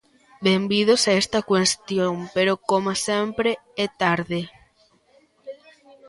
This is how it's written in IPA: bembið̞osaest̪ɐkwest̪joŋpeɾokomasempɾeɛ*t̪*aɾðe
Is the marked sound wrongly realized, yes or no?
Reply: no